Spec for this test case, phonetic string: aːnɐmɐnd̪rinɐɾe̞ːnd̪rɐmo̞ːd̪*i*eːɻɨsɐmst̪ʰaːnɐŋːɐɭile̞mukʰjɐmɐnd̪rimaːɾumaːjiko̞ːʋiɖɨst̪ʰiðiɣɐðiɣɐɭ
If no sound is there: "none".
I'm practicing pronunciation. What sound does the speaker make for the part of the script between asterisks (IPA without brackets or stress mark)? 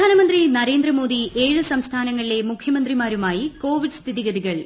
i